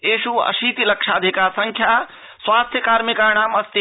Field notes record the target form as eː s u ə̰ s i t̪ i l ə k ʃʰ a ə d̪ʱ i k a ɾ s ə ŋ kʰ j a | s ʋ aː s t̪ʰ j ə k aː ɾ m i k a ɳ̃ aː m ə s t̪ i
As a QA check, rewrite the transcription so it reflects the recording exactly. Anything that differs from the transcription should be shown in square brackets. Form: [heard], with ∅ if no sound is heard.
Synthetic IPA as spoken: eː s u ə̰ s i t̪ i l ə k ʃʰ a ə d̪ʱ i k a ɾ s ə ŋ kʰ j a | s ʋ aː s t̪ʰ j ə k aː ɾ m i k a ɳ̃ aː m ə s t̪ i

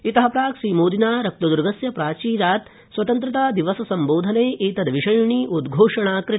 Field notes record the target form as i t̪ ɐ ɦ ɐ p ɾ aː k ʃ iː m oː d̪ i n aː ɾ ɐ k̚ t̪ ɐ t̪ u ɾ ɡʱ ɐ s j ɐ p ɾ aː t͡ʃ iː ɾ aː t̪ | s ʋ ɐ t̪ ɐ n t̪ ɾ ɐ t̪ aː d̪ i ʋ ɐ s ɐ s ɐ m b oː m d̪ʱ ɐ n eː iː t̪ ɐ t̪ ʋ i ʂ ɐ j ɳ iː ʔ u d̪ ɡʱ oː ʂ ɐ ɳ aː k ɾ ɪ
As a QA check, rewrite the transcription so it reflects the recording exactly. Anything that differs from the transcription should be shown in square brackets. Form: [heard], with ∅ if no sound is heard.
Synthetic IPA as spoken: i t̪ ɐ ɦ ɐ p ɾ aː k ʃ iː m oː d̪ i n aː ɾ ɐ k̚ t̪ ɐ [d̪] u ɾ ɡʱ ɐ s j ɐ p ɾ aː t͡ʃ iː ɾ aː t̪ | s ʋ ɐ t̪ ɐ n t̪ ɾ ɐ t̪ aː d̪ i ʋ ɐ s ɐ s ɐ m b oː [∅] d̪ʱ ɐ n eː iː t̪ ɐ [d̪] ʋ i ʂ ɐ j ɳ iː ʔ u d̪ ɡʱ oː ʂ ɐ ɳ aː k ɾ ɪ

